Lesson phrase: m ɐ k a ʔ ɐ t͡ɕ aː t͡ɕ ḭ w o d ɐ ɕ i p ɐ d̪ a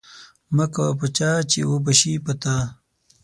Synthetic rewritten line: m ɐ k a p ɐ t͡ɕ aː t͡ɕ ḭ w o b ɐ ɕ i p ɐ t̪ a